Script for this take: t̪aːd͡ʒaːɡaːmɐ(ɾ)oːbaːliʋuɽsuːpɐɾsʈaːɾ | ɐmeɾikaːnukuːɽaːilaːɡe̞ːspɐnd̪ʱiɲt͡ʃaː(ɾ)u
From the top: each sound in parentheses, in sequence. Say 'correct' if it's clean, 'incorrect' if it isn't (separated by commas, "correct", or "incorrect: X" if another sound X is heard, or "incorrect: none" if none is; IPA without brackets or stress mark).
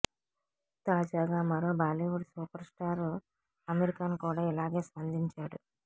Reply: correct, incorrect: ɽ